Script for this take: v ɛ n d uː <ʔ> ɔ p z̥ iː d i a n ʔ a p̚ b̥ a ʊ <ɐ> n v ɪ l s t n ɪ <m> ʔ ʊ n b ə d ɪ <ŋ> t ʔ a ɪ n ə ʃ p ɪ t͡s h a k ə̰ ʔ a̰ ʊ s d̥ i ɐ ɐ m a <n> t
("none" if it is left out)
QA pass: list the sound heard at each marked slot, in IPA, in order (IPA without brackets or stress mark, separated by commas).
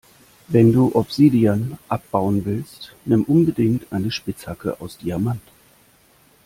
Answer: ʔ, ə, m, ŋ, n